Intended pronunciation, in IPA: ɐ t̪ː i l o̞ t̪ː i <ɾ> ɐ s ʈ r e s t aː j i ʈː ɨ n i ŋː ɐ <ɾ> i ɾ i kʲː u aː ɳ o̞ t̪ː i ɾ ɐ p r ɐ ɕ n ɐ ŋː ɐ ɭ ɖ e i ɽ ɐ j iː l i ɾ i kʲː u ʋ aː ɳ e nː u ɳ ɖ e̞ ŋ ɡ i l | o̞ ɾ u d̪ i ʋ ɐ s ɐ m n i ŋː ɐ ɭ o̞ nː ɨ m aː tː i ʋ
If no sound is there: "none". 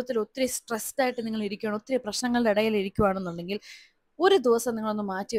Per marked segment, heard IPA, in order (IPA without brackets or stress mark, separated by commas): ɾ, ɭ